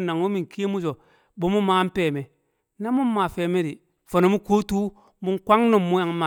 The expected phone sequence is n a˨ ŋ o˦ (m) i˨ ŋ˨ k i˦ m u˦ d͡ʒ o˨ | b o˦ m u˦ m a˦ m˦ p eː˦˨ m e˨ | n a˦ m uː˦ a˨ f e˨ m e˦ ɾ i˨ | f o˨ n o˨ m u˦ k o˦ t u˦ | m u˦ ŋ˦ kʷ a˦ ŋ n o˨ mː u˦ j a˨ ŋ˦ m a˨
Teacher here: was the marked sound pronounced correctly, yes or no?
yes